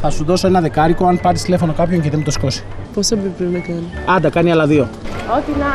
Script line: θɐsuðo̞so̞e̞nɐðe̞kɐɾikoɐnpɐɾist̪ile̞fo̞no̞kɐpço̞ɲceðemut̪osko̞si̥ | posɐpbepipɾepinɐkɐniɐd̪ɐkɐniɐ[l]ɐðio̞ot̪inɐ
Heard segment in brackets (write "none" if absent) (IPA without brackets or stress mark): l